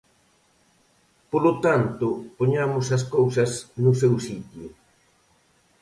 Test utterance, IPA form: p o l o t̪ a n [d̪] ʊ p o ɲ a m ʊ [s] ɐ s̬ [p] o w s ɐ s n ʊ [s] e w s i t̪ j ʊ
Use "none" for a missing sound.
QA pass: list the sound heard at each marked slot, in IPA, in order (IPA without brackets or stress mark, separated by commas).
t̪, s, k, s